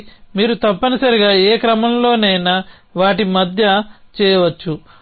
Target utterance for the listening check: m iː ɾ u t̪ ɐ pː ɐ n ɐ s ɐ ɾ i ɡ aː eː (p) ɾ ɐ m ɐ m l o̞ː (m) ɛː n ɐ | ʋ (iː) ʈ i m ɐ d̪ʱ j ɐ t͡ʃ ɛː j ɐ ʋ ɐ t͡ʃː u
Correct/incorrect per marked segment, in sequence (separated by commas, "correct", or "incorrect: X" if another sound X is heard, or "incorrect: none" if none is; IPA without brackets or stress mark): incorrect: k, incorrect: n, incorrect: aː